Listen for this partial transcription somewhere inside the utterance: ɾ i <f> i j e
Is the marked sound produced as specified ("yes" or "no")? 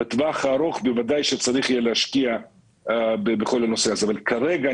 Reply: no